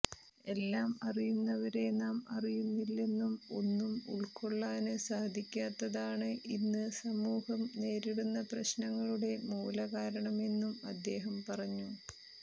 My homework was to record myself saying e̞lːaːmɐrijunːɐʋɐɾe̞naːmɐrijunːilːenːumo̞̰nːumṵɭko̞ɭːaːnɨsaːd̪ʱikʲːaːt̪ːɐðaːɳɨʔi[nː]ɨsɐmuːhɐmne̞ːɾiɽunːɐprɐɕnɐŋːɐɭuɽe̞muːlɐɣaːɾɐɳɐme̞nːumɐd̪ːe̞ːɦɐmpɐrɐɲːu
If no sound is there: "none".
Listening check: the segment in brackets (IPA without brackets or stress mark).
nː